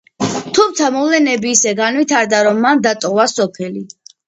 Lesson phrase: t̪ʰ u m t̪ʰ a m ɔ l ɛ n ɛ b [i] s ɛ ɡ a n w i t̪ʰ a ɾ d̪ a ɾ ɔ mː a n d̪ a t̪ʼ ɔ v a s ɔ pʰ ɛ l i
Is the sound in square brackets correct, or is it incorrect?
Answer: incorrect